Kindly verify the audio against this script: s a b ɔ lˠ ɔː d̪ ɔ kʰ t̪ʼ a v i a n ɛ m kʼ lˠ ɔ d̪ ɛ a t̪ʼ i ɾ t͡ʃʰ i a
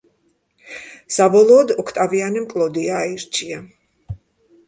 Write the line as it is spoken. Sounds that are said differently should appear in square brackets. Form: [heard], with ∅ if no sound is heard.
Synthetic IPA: s a b ɔ lˠ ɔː d̪ ɔ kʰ t̪ʼ a v i a n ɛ m kʼ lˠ ɔ d̪ [i] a [∅] i ɾ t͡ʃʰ i a